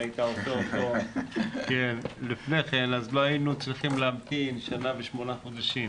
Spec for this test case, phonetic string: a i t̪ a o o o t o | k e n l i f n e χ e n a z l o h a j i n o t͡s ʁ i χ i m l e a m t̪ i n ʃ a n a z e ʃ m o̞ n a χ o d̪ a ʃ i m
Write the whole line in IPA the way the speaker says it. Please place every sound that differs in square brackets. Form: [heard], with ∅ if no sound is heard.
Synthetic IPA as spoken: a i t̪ a o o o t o | k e n l i f n e χ e n a z l o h a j i n [u] t͡s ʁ i χ i m l e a m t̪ i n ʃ a n a [v] e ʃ m o̞ n a χ o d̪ a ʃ i m